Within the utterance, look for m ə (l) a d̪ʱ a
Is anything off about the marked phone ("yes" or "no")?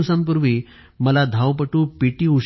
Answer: no